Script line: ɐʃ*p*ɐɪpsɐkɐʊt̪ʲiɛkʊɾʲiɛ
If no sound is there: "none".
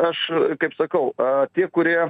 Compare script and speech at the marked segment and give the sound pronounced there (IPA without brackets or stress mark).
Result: k